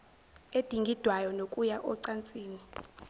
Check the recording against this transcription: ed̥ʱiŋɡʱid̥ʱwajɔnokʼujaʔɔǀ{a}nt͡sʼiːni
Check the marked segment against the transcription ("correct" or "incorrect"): correct